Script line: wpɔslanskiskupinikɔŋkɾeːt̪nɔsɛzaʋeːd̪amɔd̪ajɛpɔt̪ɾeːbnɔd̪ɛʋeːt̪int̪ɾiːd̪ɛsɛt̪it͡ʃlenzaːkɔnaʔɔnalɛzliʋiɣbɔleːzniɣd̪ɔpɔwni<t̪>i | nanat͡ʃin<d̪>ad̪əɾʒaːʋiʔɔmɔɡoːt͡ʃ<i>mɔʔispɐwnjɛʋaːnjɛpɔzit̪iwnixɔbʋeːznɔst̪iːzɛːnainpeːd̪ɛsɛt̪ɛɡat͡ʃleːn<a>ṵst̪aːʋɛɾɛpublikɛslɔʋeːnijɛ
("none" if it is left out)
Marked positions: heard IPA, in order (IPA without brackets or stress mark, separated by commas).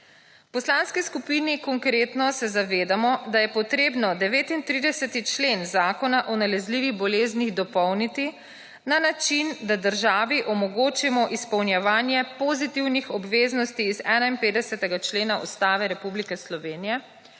t̪, d̪, i, a